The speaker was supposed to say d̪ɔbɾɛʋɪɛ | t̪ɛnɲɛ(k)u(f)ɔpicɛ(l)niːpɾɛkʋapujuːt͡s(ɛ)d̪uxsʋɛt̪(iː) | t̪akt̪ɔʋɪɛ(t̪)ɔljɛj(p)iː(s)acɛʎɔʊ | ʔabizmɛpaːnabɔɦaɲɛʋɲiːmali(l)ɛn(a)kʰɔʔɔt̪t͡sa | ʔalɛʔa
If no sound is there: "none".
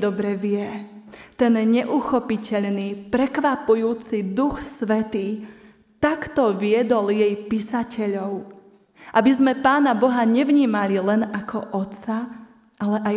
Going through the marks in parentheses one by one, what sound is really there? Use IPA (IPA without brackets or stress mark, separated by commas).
ʔ, x, ʎ, i, iː, d̪, p, s, l, a